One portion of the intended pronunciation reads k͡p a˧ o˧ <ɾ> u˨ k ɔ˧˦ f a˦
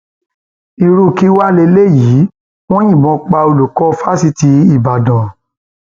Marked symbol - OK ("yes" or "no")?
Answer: no